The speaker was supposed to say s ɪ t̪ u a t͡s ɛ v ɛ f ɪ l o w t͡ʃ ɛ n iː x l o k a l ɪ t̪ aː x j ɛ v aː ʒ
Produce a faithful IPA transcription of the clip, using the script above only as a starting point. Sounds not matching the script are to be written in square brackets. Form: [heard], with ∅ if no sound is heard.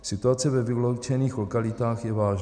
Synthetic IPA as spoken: s ɪ t̪ u a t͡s ɛ v ɛ [v] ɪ l o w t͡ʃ ɛ n iː x l o k a l ɪ t̪ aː x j ɛ v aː ʒ